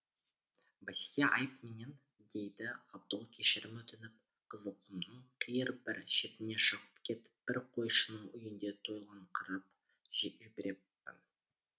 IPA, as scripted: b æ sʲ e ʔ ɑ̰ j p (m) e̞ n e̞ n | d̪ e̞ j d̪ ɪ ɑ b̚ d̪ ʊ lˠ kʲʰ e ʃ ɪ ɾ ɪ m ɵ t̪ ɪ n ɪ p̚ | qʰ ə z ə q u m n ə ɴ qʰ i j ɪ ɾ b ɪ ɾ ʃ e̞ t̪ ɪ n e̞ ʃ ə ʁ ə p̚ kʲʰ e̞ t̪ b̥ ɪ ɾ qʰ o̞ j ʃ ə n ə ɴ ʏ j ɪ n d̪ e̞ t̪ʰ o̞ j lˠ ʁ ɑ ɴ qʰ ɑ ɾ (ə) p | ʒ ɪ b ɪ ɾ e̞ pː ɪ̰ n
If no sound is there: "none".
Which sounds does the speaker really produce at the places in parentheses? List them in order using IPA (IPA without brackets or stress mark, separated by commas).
m, ɑ